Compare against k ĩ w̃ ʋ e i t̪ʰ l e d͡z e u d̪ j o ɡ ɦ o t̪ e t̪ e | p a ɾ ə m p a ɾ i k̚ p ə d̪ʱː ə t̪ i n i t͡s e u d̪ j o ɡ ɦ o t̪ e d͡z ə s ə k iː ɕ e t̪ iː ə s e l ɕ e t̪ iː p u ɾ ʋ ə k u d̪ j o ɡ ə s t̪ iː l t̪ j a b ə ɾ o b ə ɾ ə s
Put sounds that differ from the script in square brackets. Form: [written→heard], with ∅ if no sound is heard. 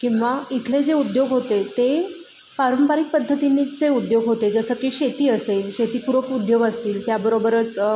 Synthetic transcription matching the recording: k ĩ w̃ ʋ [e→a] i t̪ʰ l e d͡z e u d̪ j o ɡ ɦ o t̪ e t̪ e | p a ɾ ə m p a ɾ i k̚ p ə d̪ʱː ə t̪ i n i t͡s e u d̪ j o ɡ ɦ o t̪ e d͡z ə s ə k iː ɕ e t̪ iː ə s e l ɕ e t̪ iː p u ɾ ʋ ə k u d̪ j o ɡ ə s t̪ iː l t̪ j a b ə ɾ o b ə ɾ ə [s→t͡s]